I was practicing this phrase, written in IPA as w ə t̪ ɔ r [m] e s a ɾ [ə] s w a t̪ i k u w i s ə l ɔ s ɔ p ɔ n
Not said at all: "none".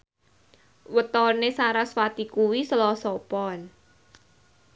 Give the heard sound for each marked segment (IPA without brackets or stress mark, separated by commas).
n, a